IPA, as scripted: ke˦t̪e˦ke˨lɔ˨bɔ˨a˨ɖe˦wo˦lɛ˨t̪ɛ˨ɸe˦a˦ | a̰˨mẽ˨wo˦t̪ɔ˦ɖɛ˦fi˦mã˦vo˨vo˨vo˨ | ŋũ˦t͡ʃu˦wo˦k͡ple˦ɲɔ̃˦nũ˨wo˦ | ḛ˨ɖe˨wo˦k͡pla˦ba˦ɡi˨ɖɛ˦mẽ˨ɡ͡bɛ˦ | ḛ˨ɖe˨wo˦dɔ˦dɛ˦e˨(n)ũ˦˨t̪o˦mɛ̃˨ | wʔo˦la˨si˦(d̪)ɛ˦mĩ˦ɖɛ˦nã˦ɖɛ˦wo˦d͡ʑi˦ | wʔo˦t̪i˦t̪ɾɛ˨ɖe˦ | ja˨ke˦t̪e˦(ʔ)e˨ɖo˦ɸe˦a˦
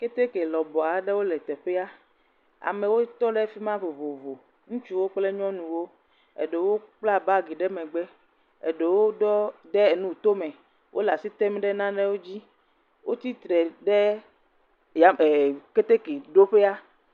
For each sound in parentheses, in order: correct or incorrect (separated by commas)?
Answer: correct, incorrect, incorrect